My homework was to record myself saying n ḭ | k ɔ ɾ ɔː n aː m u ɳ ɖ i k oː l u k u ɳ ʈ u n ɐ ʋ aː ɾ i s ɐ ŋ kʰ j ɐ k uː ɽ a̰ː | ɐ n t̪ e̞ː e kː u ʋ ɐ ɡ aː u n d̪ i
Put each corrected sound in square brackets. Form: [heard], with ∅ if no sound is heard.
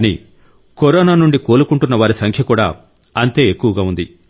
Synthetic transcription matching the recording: n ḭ | k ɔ ɾ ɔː n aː [n] u ɳ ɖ i k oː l u k u ɳ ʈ u [nː] ɐ ʋ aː ɾ i s ɐ ŋ kʰ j ɐ k uː ɽ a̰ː | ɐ n t̪ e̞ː e kː u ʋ ɐ ɡ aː u n d̪ i